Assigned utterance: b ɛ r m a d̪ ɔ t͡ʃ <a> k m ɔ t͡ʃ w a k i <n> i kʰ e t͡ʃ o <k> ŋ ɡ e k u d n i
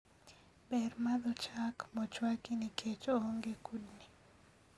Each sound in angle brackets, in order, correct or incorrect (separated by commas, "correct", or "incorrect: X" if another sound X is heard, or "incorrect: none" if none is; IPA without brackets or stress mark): correct, correct, incorrect: none